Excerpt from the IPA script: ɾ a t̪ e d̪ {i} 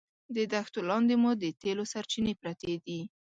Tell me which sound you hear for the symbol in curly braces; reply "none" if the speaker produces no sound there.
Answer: i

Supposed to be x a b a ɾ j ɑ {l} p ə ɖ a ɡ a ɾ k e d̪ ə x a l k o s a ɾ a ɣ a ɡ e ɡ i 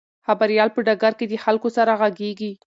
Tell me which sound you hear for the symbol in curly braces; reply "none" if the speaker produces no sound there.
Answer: l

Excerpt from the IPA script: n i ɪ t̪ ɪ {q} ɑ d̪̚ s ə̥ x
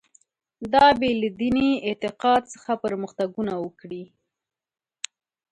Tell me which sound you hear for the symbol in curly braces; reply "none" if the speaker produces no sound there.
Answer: q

